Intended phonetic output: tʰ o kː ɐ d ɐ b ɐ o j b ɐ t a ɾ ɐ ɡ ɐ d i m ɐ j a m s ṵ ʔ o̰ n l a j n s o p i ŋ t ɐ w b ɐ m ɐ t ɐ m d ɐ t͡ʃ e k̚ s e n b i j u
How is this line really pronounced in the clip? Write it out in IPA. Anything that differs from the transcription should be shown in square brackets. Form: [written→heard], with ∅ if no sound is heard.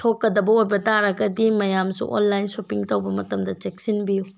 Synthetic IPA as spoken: tʰ o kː ɐ d ɐ b ɐ o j b ɐ t a ɾ ɐ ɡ ɐ d i m ɐ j a m s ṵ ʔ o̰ n l a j n s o p i ŋ t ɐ w b ɐ m ɐ t ɐ m d ɐ t͡ʃ e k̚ s [e→i] n b i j u